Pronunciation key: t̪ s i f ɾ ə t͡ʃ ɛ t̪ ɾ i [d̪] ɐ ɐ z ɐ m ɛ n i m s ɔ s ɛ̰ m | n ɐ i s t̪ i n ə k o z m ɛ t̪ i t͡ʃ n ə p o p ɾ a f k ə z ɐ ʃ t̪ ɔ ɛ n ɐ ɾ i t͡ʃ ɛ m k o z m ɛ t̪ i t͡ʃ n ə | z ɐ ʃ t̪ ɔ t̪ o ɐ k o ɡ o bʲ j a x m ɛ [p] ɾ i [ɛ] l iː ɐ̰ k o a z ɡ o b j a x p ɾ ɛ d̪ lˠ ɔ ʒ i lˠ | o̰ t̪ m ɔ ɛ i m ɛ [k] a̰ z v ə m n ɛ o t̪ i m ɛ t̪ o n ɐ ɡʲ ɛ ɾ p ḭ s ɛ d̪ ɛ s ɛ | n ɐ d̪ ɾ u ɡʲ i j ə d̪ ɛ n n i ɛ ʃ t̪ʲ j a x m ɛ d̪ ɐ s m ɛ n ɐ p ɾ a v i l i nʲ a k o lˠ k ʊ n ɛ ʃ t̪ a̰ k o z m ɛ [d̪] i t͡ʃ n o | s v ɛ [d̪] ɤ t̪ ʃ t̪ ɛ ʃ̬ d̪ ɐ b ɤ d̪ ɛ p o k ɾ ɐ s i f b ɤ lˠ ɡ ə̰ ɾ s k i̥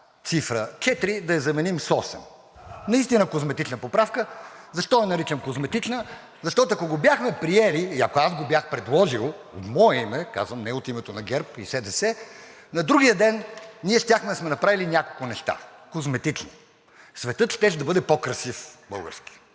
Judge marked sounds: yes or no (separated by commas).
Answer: yes, yes, yes, yes, no, no